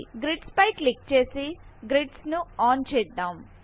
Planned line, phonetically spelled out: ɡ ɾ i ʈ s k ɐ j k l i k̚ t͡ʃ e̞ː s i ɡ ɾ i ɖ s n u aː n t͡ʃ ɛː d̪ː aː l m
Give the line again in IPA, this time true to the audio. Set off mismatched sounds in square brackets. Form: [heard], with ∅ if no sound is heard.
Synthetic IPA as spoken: ɡ ɾ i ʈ s [p] ɐ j k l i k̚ t͡ʃ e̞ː s i ɡ ɾ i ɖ s n u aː n t͡ʃ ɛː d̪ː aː [∅] m